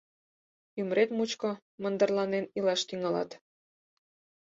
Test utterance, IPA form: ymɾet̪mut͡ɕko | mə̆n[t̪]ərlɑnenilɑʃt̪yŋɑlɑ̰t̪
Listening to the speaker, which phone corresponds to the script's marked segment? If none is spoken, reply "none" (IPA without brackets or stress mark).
d̪